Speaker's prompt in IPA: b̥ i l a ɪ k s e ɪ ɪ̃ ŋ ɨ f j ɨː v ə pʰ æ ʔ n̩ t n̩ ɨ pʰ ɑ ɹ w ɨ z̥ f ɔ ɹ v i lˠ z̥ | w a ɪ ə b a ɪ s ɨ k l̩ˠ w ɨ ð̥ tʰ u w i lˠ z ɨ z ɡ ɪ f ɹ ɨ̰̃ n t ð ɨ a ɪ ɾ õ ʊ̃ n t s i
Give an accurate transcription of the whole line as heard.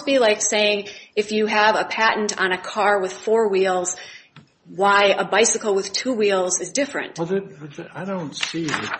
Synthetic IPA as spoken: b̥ i l a ɪ k s e ɪ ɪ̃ ŋ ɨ f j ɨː v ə pʰ æ ʔ n̩ t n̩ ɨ kʰ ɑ ɹ w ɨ ð̥ f ɔ ɹ w i lˠ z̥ | w a ɪ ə b a ɪ s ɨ k l̩ˠ w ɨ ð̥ tʰ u w i lˠ z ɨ z d ɪ f ɹ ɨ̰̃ n t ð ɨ a ɪ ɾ õ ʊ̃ n t s i